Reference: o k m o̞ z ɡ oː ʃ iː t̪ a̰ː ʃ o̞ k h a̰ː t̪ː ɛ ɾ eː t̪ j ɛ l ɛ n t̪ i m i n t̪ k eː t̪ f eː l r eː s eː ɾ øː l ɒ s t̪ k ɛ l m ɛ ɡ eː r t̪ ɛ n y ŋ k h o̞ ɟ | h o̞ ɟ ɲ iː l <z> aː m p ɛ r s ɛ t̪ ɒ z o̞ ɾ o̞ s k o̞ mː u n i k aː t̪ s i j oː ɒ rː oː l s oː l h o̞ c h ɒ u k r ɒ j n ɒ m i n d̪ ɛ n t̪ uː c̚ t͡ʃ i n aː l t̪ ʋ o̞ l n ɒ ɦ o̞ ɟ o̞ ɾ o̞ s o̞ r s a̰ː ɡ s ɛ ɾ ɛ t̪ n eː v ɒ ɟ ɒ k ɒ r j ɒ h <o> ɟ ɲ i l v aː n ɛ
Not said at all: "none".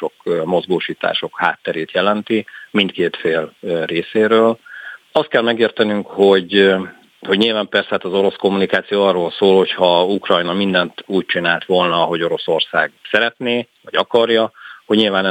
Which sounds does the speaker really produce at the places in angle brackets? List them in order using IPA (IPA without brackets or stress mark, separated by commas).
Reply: v, o